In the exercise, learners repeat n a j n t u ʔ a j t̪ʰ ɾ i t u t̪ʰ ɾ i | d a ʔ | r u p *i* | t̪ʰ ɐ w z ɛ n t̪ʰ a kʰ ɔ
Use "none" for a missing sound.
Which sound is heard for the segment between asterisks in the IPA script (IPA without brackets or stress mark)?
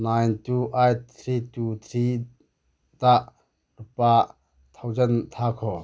a